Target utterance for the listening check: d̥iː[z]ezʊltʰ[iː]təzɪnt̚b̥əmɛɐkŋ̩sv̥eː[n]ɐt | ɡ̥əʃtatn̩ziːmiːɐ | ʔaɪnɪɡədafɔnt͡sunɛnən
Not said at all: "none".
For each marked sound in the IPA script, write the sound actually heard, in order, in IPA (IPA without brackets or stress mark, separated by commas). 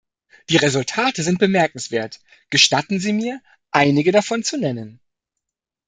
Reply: ʁ, aː, none